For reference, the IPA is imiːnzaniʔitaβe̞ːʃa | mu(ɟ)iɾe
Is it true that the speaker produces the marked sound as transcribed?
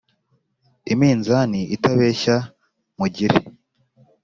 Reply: yes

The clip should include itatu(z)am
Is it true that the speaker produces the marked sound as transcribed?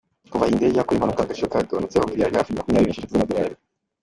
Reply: yes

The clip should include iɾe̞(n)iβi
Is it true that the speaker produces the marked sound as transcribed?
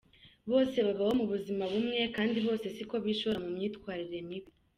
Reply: no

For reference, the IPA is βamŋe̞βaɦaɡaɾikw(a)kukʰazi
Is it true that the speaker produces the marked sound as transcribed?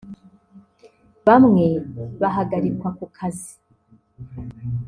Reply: yes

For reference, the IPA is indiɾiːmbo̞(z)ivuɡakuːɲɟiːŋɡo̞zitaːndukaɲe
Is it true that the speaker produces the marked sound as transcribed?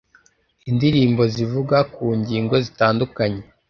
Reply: yes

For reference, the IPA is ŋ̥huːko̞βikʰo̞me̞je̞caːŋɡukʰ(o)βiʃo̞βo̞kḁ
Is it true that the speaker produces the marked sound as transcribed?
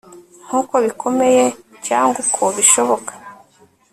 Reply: yes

